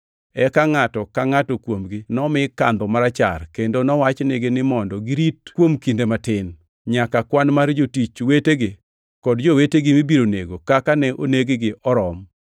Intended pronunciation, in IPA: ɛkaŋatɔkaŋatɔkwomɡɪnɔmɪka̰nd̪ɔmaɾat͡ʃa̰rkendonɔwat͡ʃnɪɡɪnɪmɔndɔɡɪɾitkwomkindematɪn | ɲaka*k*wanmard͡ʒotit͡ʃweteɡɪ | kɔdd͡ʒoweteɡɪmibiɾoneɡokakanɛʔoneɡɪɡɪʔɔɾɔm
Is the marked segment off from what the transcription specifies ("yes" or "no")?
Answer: no